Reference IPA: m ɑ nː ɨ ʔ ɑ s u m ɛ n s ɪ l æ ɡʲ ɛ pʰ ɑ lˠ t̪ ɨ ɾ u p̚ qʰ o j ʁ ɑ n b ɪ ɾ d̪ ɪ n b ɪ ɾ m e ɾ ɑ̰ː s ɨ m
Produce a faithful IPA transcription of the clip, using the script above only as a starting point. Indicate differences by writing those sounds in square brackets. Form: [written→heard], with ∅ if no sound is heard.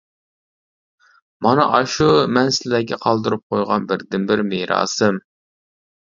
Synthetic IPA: m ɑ [nː→n] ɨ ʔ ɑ [s→ʃ] u m ɛ n s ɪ l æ ɡʲ ɛ [pʰ→qʰ] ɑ lˠ [t̪→d̪] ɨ ɾ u p̚ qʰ o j ʁ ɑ n b ɪ ɾ d̪ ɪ n b ɪ ɾ m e ɾ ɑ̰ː s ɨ m